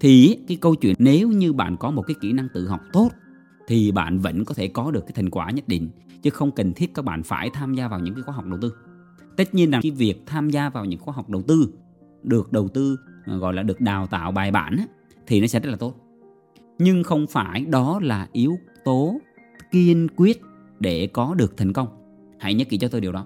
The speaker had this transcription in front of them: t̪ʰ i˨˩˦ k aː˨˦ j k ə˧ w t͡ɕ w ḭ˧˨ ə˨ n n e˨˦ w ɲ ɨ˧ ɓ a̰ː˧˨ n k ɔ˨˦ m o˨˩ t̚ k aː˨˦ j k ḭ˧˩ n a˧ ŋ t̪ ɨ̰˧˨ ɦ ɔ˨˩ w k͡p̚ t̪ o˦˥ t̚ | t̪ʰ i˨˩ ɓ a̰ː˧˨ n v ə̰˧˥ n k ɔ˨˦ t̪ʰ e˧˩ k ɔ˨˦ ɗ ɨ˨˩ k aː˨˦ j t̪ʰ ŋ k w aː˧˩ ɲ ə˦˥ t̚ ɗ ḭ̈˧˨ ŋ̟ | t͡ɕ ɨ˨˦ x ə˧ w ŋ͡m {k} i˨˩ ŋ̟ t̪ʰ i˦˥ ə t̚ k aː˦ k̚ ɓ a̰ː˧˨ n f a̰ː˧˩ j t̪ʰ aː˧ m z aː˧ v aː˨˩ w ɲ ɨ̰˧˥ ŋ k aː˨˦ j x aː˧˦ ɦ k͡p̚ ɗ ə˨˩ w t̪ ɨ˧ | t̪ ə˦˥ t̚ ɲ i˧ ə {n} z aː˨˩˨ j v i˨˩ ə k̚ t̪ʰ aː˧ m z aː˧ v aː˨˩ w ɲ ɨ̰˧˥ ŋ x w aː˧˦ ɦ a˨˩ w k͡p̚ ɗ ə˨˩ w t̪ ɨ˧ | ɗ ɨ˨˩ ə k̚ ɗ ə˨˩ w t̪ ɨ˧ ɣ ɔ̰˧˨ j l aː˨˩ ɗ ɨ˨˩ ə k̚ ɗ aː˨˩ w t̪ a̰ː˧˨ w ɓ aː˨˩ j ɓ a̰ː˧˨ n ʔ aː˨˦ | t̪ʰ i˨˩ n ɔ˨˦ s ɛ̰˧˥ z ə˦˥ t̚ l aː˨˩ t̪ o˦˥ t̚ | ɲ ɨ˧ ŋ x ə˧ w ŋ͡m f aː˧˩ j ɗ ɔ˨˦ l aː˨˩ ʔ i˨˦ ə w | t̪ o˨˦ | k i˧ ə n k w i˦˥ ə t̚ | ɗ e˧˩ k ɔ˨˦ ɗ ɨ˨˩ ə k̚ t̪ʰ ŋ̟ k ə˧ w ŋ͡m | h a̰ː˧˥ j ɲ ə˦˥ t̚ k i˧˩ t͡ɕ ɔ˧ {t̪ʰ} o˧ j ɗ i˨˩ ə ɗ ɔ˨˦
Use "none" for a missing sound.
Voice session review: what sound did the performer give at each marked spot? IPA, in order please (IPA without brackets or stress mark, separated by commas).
k, n, t̪